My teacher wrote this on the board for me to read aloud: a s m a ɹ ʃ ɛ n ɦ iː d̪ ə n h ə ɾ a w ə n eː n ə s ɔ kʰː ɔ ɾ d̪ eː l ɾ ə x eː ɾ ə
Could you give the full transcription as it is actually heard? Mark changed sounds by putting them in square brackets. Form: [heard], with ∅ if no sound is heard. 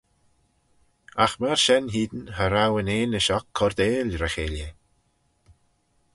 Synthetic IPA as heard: a [x] m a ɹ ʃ ɛ n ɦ iː d̪ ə n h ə ɾ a w ə n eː n ə [ʃ] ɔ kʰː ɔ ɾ d̪ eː l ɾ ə x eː [l] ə